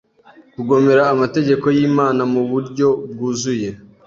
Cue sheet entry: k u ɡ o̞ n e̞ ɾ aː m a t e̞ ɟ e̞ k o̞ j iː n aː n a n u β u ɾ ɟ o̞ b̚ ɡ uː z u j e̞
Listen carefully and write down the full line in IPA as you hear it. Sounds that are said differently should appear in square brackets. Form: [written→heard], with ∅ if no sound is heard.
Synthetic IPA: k u ɡ o̞ [n→m] e̞ ɾ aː m a t e̞ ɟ e̞ k o̞ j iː [n→m] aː n a [n→m] u β u ɾ ɟ o̞ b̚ ɡ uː z u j e̞